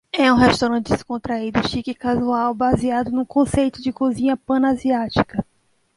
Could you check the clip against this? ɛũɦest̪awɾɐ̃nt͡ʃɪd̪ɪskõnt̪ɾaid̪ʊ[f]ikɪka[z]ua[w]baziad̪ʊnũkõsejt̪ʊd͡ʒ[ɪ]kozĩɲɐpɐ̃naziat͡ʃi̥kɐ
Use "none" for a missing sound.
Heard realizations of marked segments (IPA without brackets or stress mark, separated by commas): ʃ, z, w, ɪ